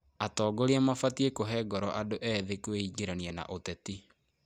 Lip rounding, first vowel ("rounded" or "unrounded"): unrounded